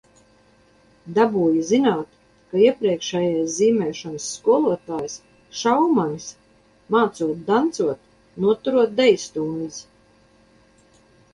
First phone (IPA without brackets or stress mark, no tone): d̪